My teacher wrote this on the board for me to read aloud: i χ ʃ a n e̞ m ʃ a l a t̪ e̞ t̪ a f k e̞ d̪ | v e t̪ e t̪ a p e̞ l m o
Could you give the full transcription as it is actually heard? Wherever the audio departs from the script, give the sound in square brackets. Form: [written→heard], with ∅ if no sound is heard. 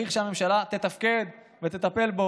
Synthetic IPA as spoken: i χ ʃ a [n→m] e̞ m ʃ a l a t̪ e̞ t̪ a f k e̞ d̪ | v e t̪ e t̪ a p e̞ l [m→b] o